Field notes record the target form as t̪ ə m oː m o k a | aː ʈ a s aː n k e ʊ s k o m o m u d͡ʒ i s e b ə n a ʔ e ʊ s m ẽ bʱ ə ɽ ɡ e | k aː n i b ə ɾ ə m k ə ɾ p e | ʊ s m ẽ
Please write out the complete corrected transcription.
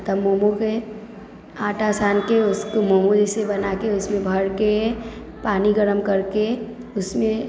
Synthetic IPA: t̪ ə m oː m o k e | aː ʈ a s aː n k e ʊ s k o m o m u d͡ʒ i s e b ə n a k e ʊ s m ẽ bʱ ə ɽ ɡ e | p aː n i ɡ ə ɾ ə m k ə ɾ k e | ʊ s m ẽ

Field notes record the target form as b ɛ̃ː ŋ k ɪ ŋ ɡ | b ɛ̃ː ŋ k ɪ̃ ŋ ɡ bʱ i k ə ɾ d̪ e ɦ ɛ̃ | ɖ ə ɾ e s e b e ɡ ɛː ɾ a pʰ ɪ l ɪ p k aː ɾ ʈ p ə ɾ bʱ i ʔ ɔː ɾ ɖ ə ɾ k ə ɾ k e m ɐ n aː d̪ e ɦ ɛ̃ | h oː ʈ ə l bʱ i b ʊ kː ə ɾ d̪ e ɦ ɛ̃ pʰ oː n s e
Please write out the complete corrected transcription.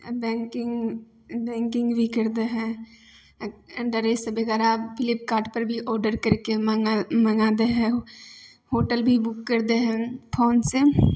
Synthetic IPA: b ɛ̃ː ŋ k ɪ ŋ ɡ | b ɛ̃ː ŋ k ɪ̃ ŋ ɡ bʱ i k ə ɾ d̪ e ɦ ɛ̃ | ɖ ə ɾ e s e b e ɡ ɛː ɾ a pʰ ɪ l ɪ p k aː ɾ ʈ p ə ɾ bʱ i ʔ ɔː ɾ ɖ ə ɾ k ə ɾ k e m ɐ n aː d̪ e ɦ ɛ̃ | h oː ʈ ə l bʱ i b ʊ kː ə ɾ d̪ e ɦ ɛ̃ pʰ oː n s e

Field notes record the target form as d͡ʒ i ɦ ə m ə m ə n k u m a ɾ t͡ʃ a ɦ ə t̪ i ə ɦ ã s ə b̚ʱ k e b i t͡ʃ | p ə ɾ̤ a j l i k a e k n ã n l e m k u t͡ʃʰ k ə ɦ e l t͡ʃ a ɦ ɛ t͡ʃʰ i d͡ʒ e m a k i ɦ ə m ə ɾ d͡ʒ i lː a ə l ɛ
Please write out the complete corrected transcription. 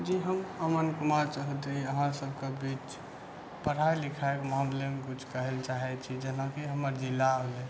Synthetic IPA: d͡ʒ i ɦ ə m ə m ə n k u m a ɾ t͡ʃ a ɦ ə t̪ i ə ɦ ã s ə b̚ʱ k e b i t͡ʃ | p ə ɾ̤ a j l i kʰ a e k m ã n l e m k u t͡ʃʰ k ə ɦ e l t͡ʃ a ɦ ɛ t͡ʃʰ i d͡ʒ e n a k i ɦ ə m ə ɾ d͡ʒ i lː a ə l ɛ

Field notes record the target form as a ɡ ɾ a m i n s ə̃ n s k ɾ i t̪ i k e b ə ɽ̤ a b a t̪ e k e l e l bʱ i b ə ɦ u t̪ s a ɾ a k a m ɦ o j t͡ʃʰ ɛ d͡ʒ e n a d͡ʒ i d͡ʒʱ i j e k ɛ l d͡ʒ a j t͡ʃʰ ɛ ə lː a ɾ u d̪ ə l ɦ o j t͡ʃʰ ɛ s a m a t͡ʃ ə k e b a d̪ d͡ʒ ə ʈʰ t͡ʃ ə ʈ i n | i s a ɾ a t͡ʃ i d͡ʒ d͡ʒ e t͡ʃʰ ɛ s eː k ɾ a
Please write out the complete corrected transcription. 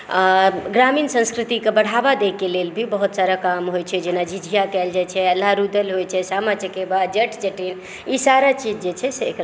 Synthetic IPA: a ɡ ɾ a m i n s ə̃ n s k ɾ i t̪ i k e b ə ɽ̤ a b a d̪ e k e l e l bʱ i b ə ɦ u t̪ s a ɾ a k a m ɦ o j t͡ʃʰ ɛ d͡ʒ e n a d͡ʒ i d͡ʒʱ i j a k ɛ l d͡ʒ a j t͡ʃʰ ɛ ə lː a ɾ u d̪ ə l ɦ o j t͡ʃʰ ɛ s a m a t͡ʃ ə k e b a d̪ d͡ʒ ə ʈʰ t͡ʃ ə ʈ i n | i s a ɾ a t͡ʃ i d͡ʒ d͡ʒ e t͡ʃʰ ɛ s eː k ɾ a

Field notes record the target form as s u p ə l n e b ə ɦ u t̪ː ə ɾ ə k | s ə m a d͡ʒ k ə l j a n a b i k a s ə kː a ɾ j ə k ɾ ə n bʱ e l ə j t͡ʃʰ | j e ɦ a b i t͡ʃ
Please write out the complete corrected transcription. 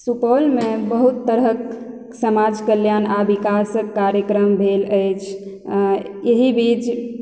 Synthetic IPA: s u p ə l m e b ə ɦ u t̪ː ə ɾ ə k | s ə m a d͡ʒ k ə l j a n a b i k a s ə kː a ɾ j ə k ɾ ə m bʱ e l ə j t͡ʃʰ | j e ɦ i b i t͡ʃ

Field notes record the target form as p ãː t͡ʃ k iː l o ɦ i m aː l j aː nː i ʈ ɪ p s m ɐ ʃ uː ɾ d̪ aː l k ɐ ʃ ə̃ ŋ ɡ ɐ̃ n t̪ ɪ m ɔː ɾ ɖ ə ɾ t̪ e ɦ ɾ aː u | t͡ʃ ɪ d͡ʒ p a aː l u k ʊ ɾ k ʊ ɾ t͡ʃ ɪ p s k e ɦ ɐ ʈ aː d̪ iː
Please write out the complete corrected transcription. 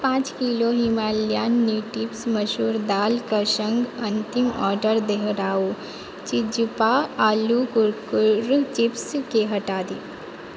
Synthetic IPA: p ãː t͡ʃ k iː l o ɦ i m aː l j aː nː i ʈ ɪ p s m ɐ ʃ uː ɾ d̪ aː l k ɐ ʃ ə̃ ŋ ɡ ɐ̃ n t̪ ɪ m ɔː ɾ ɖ ə ɾ d̪ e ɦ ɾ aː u | t͡ʃ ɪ d͡ʒ p a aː l u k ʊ ɾ k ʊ ɾ t͡ʃ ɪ p s k e ɦ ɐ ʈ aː d̪ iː

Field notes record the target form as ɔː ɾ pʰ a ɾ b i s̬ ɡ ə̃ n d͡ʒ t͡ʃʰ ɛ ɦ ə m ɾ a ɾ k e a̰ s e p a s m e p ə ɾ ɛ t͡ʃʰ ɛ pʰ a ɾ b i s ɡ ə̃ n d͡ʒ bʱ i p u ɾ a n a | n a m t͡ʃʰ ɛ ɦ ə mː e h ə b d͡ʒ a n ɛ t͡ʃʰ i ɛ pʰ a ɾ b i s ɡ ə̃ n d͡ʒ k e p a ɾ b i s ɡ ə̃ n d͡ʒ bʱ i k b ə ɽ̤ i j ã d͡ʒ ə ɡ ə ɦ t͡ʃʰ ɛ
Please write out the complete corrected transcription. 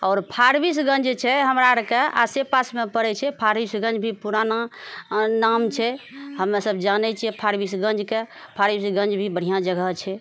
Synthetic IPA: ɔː ɾ pʰ a ɾ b i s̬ ɡ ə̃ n d͡ʒ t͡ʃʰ ɛ ɦ ə m ɾ a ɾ k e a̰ s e p a s m e p ə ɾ ɛ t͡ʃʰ ɛ pʰ a ɾ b i s ɡ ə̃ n d͡ʒ bʱ i p u ɾ a n a | n a m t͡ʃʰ ɛ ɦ ə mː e s ə b d͡ʒ a n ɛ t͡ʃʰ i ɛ pʰ a ɾ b i s ɡ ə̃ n d͡ʒ k e pʰ a ɾ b i s ɡ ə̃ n d͡ʒ bʱ i b ə ɽ̤ i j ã d͡ʒ ə ɡ ə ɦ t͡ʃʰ ɛ

